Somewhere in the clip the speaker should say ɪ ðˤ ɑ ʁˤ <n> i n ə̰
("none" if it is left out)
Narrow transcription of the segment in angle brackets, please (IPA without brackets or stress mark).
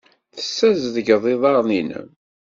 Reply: n